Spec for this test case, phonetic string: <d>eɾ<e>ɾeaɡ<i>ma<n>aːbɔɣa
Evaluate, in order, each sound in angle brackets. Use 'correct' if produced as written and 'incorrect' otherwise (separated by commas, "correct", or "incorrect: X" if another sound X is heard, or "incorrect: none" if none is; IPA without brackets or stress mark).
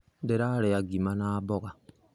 correct, incorrect: a, correct, correct